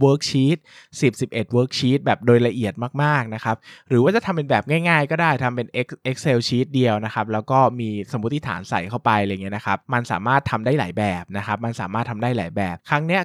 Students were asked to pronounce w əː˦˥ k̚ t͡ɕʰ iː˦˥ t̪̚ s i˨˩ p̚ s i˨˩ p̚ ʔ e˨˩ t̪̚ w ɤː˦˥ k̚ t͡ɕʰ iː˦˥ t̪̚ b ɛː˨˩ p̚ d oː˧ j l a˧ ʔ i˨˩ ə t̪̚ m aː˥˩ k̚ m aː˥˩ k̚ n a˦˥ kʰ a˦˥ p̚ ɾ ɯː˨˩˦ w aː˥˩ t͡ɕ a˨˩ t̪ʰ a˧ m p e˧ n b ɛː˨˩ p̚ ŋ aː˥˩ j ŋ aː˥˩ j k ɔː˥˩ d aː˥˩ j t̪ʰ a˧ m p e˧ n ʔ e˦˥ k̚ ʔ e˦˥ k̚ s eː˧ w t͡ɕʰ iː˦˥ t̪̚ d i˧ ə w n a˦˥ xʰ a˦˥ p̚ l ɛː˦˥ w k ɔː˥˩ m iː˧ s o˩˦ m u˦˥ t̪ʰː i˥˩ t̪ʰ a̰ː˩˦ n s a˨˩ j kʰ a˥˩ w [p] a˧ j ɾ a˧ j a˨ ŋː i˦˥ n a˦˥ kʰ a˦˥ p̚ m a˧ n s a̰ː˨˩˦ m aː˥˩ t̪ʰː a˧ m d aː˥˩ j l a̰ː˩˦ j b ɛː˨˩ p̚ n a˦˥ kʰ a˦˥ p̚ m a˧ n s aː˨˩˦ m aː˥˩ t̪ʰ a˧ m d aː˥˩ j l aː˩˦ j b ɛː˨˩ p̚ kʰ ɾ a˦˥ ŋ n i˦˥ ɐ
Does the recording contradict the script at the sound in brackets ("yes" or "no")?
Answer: no